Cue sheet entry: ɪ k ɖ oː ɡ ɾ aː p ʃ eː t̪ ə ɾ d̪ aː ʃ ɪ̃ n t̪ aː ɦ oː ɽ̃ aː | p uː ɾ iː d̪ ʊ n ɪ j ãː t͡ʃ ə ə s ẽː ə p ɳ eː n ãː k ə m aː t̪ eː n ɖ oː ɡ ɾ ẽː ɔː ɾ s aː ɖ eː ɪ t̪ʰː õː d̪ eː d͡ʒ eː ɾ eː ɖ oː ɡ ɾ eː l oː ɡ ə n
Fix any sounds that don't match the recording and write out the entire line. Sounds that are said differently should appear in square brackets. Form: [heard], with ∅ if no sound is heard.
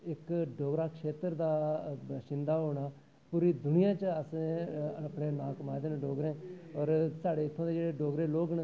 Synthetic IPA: ɪ k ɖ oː ɡ ɾ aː [k] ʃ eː t̪ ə ɾ d̪ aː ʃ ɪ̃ n [d̪] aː ɦ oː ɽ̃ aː | p uː ɾ iː d̪ ʊ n ɪ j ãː t͡ʃ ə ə s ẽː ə p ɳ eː n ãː k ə m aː [d̪] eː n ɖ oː ɡ ɾ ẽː ɔː ɾ s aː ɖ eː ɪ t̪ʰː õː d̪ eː d͡ʒ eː [ɽ] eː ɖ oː ɡ ɾ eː l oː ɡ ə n